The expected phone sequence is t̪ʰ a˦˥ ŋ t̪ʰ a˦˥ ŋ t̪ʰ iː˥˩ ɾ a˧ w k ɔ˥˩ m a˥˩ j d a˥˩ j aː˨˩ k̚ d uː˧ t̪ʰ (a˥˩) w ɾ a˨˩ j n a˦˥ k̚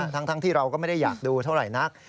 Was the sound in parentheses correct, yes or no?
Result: yes